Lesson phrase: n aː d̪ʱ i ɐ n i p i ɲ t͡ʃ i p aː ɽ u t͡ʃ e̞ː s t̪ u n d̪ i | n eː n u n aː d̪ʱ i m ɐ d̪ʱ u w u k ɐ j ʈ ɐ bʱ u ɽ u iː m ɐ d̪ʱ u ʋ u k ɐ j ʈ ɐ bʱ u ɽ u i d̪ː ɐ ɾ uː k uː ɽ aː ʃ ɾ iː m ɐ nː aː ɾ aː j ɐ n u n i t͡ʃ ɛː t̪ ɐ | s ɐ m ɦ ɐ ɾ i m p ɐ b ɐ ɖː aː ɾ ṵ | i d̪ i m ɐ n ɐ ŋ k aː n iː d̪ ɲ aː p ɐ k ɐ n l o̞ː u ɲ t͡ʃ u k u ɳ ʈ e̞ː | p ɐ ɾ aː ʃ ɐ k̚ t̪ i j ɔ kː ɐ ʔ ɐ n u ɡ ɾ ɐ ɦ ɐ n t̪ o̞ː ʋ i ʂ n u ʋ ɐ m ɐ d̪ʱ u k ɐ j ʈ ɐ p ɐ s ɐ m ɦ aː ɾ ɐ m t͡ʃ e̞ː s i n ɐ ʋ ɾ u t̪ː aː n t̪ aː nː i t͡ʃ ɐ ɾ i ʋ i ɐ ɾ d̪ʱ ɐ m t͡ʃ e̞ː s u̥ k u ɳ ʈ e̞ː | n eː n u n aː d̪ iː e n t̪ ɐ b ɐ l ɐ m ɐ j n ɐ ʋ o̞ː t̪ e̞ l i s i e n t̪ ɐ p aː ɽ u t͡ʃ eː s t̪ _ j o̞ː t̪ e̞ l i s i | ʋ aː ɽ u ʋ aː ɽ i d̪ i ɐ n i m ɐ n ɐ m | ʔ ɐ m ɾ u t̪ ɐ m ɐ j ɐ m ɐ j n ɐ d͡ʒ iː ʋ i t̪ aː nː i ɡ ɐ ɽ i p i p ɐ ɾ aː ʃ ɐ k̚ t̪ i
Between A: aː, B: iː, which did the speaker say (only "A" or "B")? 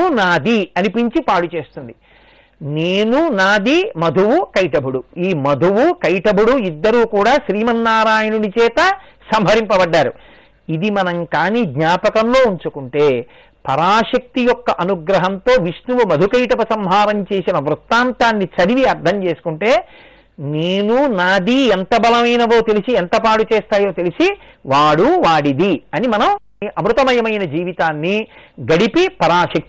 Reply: A